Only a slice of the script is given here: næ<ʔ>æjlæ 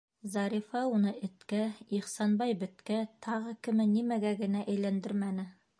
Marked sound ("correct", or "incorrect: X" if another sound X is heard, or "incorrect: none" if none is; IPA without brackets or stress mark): correct